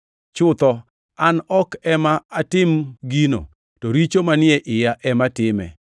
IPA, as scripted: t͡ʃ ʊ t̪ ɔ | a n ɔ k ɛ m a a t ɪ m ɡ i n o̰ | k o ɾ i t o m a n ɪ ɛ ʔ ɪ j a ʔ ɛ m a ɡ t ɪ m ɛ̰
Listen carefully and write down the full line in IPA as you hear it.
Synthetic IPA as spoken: t͡ʃ ʊ t̪ ɔ | a n ɔ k ɛ m a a t ɪ m ɡ i n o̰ | t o ɾ i t͡ʃ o m a n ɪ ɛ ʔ ɪ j a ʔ ɛ m a t ɪ m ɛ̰

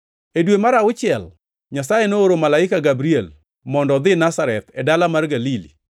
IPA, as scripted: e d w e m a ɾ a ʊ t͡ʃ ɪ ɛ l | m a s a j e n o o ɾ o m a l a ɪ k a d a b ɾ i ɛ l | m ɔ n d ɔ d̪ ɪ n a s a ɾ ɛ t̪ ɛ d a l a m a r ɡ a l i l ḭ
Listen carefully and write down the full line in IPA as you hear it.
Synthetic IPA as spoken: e d w e m a ɾ a ʊ t͡ʃ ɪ ɛ l | ɲ a s a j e n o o ɾ o m a l a ɪ k a ɡ a b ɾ i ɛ l | m ɔ n d ɔ d̪ ɪ n a s a ɾ ɛ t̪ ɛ d a l a m a r ɡ a l i l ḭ

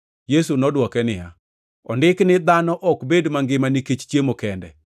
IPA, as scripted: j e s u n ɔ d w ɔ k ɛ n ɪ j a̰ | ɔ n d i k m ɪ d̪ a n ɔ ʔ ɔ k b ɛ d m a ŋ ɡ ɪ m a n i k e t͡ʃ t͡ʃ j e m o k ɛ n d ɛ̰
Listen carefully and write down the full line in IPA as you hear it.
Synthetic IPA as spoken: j e s u n ɔ d w ɔ k ɛ n ɪ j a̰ | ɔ n d ɪ k n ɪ d̪ a n ɔ ʔ ɔ k b e d m a ŋ ɡ ɪ m a n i k e t͡ʃ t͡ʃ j e m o k ɛ n d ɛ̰

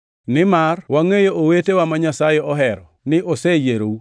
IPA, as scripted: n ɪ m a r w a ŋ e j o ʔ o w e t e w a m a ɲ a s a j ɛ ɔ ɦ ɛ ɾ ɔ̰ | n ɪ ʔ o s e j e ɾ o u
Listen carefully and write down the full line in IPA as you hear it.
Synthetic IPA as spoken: n ɪ m a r w a ŋ e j o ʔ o w e t e w a m a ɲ a s a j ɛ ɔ ɦ ɛ ɾ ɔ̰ | n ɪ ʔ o s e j e ɾ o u

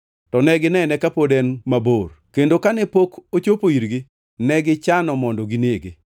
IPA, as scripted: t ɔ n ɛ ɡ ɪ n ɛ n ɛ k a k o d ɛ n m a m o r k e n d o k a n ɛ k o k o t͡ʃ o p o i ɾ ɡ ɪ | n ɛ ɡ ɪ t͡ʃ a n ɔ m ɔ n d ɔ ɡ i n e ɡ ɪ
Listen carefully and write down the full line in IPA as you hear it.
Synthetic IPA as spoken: t ɔ n ɛ ɡ ɪ n ɛ n ɛ k a p o d ɛ n m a b o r k e n d o k a n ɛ p o k o t͡ʃ o p o i ɾ ɡ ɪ | n ɛ ɡ ɪ t͡ʃ a n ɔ m ɔ n d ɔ ɡ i n e ɡ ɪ

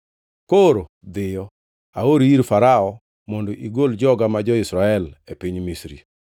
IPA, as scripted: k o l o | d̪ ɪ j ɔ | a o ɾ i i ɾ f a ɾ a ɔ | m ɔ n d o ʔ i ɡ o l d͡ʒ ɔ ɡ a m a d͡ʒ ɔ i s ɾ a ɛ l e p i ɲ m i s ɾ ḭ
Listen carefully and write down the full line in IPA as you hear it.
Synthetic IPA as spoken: k o ɾ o | d̪ ɪ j ɔ | a o ɾ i i ɾ f a ɾ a ɔ | m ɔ n d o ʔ i ɡ o l d͡ʒ ɔ ɡ a m a d͡ʒ ɔ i s ɾ a ɛ l e p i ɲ m i s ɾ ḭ

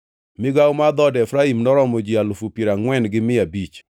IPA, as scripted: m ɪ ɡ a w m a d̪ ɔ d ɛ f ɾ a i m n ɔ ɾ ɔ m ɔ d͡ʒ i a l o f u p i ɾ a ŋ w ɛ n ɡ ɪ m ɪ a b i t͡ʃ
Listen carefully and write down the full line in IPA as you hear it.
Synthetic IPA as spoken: m ɪ ɡ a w m a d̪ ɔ d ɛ f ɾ a i m n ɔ ɾ ɔ m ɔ d͡ʒ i a l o f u p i ɾ a ŋ w ɛ n ɡ ɪ m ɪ a b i t͡ʃ

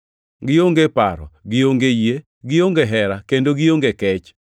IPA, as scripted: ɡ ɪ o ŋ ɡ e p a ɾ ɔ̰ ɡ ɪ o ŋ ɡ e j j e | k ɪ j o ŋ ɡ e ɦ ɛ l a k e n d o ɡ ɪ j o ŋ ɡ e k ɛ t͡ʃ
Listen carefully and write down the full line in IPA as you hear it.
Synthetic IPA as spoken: ɡ ɪ o ŋ ɡ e p a ɾ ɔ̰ ɡ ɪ o ŋ ɡ e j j e | ɡ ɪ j o ŋ ɡ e ɦ ɛ ɾ a k e n d o ɡ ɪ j o ŋ ɡ e k ɛ t͡ʃ

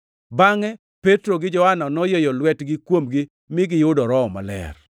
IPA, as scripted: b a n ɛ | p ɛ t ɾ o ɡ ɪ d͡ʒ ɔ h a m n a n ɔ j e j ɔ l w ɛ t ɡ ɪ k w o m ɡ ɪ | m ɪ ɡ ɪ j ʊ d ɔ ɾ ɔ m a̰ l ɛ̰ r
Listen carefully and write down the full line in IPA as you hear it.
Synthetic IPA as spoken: b a ŋ ɛ | p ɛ t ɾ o ɡ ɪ d͡ʒ ɔ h a n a n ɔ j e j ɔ l w ɛ t ɡ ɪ k w o m ɡ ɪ | m ɪ ɡ ɪ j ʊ d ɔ ɾ ɔ m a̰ l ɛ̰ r

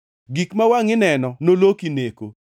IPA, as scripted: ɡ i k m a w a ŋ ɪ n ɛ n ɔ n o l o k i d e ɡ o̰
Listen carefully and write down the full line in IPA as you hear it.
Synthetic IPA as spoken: ɡ i k m a w a ŋ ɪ n ɛ n ɔ n o l o k i n e k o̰

